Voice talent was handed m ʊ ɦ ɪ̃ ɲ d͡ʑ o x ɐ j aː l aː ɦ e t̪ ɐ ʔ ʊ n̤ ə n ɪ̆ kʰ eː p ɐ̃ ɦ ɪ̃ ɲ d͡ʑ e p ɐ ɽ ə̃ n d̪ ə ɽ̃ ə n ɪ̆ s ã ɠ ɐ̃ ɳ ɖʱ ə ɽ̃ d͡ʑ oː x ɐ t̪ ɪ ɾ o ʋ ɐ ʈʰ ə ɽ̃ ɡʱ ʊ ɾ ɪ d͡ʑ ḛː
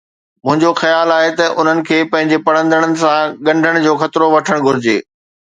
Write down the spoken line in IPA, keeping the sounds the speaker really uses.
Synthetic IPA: m ʊ̃ ɦ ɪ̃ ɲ d͡ʑ o x ɐ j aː l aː ɦ e t̪ ɐ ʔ ʊ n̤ ə n ɪ̆ kʰ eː p ɐ̃ ɦ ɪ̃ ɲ d͡ʑ e p ɐ ɽ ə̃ n d̪ ə ɽ̃ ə n ɪ̆ s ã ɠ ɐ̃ ɳ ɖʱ ə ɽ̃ d͡ʑ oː x ɐ t̪ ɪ ɾ o ʋ ɐ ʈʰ ə ɽ̃ ɡʱ ʊ ɾ ɪ d͡ʑ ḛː